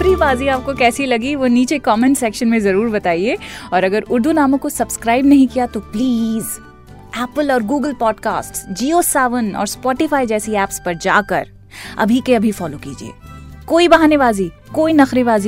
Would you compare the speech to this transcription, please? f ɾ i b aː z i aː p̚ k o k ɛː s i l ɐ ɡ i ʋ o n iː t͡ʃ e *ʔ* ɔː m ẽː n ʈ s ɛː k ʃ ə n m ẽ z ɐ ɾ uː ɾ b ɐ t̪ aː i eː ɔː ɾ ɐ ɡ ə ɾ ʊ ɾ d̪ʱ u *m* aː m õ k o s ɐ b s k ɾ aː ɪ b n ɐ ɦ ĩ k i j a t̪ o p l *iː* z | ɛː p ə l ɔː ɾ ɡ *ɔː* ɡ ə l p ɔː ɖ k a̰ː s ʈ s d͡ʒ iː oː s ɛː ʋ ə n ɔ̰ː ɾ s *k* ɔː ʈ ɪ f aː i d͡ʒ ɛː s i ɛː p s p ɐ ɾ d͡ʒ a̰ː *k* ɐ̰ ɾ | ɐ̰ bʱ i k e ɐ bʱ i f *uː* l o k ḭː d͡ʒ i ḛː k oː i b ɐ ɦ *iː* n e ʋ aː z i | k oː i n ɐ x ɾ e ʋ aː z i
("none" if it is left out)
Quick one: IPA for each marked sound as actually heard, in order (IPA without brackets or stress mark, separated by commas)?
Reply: k, n, iː, uː, p, k, ɔː, aː